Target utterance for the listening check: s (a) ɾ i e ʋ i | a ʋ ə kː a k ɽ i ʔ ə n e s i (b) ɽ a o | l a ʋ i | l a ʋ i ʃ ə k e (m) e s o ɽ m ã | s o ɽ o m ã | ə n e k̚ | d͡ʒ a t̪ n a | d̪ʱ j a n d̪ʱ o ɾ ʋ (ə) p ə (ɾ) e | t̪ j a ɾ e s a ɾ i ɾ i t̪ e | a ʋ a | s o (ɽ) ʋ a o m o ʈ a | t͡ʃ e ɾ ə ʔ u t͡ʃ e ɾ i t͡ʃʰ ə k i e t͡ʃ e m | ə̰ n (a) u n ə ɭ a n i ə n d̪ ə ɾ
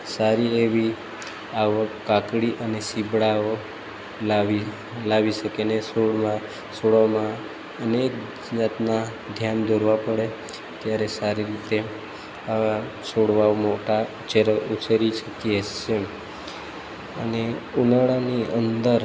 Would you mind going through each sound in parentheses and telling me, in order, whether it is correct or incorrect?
correct, correct, incorrect: n, incorrect: a, incorrect: ɽ, correct, incorrect: e

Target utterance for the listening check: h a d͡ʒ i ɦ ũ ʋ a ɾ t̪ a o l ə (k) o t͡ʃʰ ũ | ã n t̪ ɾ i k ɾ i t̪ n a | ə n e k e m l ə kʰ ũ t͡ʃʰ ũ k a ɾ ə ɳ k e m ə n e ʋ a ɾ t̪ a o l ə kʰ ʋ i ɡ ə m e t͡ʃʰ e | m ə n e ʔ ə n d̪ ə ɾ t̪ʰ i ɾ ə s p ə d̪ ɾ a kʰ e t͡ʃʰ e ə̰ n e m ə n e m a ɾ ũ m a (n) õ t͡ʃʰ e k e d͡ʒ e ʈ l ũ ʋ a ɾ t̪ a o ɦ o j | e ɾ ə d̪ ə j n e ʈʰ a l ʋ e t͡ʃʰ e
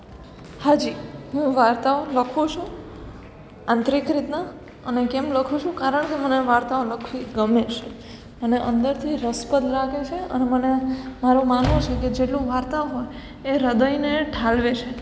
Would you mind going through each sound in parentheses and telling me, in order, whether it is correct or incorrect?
incorrect: kʰ, correct

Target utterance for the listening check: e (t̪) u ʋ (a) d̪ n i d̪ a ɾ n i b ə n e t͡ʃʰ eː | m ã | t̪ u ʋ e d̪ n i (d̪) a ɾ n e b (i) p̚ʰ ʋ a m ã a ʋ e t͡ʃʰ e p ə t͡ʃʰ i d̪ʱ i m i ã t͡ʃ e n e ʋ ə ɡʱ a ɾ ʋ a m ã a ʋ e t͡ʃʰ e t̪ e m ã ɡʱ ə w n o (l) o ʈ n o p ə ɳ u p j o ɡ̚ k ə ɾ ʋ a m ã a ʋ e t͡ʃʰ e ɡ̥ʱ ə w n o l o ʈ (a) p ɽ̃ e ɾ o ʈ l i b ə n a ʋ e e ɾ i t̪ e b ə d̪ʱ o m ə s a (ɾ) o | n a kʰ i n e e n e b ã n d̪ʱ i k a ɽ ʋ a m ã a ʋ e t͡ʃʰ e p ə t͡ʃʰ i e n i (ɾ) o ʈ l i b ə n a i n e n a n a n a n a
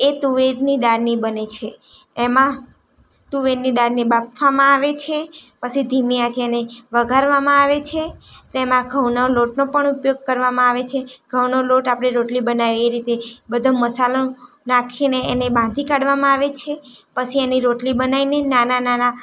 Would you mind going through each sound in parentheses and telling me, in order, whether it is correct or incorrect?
correct, incorrect: e, correct, incorrect: a, correct, correct, incorrect: l, correct

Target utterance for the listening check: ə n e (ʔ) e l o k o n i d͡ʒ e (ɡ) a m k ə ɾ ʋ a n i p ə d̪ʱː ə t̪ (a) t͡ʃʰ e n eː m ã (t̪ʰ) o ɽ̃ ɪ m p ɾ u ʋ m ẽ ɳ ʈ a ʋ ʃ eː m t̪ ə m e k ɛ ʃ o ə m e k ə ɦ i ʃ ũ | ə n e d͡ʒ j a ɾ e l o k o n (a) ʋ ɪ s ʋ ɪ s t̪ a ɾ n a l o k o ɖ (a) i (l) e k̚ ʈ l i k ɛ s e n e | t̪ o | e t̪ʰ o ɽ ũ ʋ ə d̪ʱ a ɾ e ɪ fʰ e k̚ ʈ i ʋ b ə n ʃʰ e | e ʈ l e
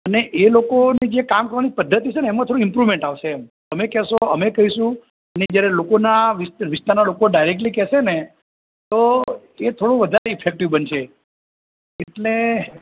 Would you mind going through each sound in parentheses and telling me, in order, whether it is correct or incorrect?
correct, incorrect: k, incorrect: i, correct, correct, correct, incorrect: ɾ

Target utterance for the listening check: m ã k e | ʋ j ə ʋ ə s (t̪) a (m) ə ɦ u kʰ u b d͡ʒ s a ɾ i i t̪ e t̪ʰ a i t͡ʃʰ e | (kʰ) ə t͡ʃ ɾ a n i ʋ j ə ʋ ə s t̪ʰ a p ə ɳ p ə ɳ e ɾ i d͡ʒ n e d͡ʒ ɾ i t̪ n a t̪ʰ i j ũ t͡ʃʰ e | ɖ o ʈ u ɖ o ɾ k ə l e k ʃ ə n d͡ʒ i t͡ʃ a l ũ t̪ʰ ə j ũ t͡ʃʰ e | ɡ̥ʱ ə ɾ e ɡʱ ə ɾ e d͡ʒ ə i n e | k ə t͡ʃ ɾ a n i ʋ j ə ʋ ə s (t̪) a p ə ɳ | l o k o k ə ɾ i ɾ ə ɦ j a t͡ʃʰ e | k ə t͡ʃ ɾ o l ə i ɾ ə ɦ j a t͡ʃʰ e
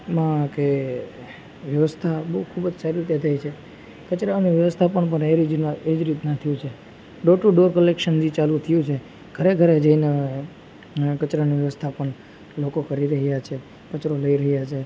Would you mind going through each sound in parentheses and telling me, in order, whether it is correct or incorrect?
incorrect: t̪ʰ, incorrect: b, incorrect: k, incorrect: t̪ʰ

